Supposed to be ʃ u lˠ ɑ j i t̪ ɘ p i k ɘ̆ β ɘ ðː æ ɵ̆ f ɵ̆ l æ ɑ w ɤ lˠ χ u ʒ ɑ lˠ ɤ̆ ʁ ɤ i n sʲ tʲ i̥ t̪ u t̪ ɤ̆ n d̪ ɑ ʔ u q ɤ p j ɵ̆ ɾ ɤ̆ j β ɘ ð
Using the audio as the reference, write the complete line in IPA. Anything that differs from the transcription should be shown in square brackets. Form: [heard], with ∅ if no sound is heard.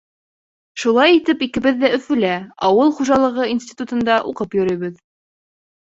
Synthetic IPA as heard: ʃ u lˠ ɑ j i t̪ ɘ p i k ɘ̆ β ɘ ðː æ ɵ̆ f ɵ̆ l æ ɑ w ɤ lˠ χ u ʒ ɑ lˠ ɤ̆ ʁ ɤ i n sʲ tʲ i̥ t̪ u t̪ ɤ̆ n d̪ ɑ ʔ u q ɤ p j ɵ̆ ɾ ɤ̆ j β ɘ ð

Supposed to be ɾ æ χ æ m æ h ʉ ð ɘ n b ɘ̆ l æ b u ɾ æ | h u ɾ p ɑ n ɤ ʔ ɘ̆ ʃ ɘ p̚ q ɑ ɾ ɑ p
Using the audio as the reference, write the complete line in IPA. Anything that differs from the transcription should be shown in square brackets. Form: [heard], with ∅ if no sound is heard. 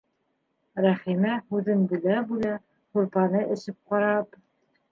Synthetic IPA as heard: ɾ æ χ [i] m æ h ʉ ð ɘ n b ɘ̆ l æ b u [l] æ | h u ɾ p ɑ n ɤ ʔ ɘ̆ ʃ ɘ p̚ q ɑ ɾ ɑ p

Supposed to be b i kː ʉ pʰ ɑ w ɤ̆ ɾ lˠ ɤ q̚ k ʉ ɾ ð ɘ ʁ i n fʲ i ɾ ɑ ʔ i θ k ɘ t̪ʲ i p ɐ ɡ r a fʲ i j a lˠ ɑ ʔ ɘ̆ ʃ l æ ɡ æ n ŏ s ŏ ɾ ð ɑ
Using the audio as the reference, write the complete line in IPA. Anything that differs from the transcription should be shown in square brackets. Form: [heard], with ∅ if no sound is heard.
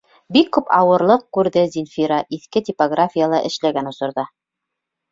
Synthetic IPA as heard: b i kː ʉ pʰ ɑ w ɤ̆ ɾ lˠ ɤ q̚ k ʉ ɾ ð ɘ [z] i n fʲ i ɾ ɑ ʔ i θ k ɘ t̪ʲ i p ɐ ɡ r a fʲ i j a lˠ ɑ ʔ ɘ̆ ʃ l æ ɡ æ n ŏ s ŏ ɾ ð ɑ

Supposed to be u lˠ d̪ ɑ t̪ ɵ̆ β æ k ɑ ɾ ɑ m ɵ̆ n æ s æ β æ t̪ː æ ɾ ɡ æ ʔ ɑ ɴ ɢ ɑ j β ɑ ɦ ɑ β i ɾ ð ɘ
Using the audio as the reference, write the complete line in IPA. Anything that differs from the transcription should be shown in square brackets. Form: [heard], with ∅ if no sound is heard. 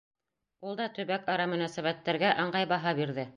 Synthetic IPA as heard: u lˠ d̪ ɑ t̪ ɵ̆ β æ k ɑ ɾ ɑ m ɵ̆ n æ s æ β æ t̪ː æ ɾ ɡ æ ʔ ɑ ɴ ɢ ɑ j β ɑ ɦ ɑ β i ɾ ð ɘ

